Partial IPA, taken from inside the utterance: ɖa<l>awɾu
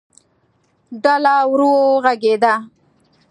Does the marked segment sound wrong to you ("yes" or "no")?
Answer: no